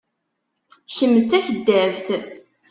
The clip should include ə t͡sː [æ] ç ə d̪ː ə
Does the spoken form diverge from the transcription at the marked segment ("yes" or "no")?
no